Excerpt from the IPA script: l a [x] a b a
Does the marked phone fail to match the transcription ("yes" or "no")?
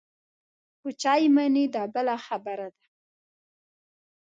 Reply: no